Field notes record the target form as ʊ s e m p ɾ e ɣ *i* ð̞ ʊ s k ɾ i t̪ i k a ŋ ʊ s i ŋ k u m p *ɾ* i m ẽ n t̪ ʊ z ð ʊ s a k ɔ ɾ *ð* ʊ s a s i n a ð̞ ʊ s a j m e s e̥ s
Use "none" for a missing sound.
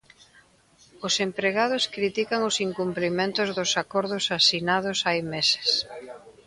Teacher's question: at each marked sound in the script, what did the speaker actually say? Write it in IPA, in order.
a, l, ð

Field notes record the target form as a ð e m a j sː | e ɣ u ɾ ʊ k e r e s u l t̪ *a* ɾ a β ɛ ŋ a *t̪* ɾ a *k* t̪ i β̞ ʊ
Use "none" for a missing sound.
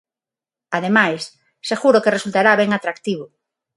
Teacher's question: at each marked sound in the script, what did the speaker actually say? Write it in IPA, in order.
a, t̪, k

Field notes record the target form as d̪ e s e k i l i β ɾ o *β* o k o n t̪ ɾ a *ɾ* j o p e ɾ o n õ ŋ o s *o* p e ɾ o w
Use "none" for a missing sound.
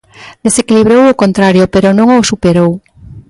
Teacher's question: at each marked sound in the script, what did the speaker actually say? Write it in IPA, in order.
w, ɾ, u

